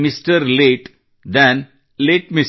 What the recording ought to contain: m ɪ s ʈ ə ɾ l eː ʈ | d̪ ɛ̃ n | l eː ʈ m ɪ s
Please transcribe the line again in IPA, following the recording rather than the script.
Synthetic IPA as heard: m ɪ s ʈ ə ɾ l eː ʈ | d̪ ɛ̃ n | l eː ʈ m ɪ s

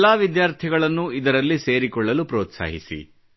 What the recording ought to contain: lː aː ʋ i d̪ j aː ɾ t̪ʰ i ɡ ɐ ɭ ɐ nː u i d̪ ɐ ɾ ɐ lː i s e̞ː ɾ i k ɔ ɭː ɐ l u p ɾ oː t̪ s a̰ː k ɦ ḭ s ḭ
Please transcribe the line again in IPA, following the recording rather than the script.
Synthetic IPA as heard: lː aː ʋ i d̪ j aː ɾ t̪ʰ i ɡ ɐ ɭ ɐ nː u i d̪ ɐ ɾ ɐ lː i s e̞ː ɾ i k ɔ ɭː ɐ l u p ɾ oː t̪ s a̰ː ɦ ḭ s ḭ

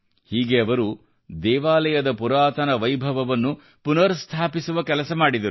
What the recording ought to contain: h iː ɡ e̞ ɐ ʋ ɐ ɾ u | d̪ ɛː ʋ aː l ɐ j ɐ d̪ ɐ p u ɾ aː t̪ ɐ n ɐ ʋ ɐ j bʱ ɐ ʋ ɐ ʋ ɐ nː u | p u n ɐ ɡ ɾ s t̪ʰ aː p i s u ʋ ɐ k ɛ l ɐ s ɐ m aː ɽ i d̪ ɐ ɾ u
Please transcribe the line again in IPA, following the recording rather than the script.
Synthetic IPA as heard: h iː ɡ e̞ ɐ ʋ ɐ ɾ u | d̪ ɛː ʋ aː l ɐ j ɐ d̪ ɐ p u ɾ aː t̪ ɐ n ɐ ʋ ɐ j bʱ ɐ ʋ ɐ ʋ ɐ nː u | p u n ɐ ɾ s t̪ʰ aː p i s u ʋ ɐ k ɛ l ɐ s ɐ m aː ɽ i d̪ ɐ ɾ u

